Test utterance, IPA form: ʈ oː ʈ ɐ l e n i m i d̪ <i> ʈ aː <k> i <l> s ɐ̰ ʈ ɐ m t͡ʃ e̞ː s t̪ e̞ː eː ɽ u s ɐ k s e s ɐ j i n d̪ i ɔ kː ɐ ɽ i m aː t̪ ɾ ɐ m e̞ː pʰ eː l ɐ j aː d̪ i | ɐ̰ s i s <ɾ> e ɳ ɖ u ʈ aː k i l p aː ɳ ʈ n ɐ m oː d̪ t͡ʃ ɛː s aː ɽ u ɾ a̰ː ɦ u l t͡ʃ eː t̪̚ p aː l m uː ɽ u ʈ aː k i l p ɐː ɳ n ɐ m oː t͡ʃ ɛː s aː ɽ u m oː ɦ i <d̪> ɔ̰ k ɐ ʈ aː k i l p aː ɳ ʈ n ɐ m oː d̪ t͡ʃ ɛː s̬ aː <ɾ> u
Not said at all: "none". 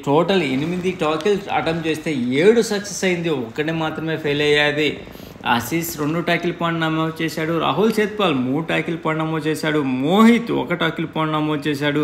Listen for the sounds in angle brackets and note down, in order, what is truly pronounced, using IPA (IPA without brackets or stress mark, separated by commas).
i, k, l, ɾ, t̪, ɽ